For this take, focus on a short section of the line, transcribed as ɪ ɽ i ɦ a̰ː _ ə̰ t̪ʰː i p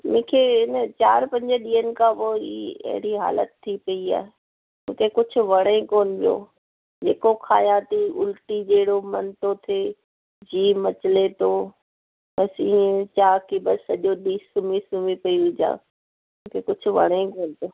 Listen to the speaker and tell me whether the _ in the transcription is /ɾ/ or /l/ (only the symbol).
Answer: l